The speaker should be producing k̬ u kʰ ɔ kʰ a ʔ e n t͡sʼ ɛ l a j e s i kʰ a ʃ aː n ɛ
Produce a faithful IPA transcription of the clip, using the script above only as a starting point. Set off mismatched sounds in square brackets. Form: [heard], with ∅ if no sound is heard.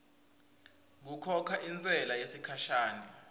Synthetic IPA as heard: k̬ u kʰ ɔ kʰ a ʔ [i] n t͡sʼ ɛ l a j e s i kʰ a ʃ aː n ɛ